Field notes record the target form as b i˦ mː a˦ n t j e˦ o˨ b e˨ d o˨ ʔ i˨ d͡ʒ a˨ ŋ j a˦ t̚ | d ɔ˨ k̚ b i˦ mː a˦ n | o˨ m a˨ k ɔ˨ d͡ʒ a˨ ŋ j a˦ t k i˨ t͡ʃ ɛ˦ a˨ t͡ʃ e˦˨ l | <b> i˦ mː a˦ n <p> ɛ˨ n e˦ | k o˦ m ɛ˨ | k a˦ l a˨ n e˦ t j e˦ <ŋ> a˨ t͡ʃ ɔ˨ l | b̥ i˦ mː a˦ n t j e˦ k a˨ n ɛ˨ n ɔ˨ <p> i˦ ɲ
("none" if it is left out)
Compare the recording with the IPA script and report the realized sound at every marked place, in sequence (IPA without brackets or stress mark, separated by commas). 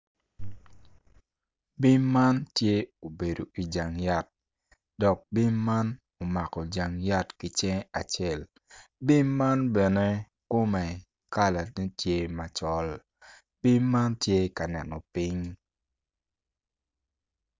b, b, m, p